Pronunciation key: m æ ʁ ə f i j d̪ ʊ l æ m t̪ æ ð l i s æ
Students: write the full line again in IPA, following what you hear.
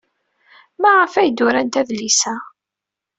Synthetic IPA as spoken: m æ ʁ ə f æ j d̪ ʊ ɾ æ n t̪ æ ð l i s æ